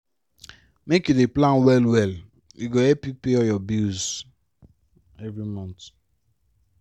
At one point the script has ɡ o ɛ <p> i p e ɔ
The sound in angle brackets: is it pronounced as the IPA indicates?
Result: yes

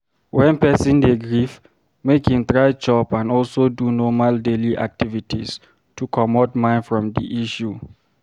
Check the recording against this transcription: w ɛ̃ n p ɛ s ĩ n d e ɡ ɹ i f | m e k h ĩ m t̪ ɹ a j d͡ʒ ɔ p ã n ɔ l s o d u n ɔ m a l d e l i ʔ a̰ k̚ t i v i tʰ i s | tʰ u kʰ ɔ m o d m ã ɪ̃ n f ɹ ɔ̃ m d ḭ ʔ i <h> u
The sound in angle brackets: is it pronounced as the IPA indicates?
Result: no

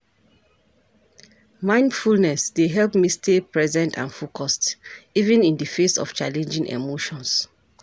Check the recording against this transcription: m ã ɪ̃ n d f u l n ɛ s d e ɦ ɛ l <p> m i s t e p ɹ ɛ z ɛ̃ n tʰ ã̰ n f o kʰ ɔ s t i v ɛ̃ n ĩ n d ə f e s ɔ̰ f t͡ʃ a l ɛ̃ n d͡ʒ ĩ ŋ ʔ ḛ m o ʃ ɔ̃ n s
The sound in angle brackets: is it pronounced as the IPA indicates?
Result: yes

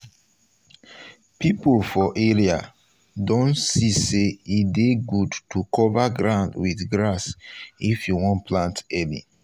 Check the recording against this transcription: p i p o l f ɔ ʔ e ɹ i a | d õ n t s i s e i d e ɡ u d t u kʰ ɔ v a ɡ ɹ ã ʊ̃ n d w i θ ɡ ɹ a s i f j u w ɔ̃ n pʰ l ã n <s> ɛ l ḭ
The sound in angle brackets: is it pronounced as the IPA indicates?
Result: no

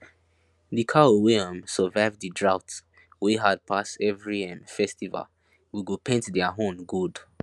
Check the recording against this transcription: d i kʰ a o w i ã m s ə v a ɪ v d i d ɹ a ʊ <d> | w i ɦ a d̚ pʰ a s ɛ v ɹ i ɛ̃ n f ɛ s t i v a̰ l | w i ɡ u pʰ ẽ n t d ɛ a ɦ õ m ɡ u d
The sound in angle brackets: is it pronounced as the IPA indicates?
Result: no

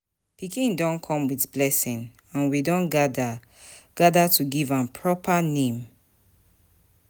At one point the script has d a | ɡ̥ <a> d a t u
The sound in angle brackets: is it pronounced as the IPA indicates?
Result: yes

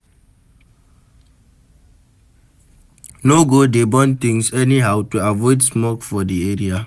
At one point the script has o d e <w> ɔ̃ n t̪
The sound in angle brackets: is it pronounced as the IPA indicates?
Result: no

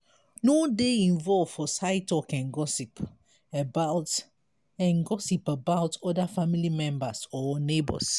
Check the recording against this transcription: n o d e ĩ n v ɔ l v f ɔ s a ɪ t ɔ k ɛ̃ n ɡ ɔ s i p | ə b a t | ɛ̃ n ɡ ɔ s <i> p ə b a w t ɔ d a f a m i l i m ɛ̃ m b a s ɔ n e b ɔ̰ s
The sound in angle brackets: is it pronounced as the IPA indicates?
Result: yes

